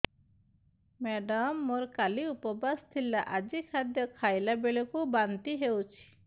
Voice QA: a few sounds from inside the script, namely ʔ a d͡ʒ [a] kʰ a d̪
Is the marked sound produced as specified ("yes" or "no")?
no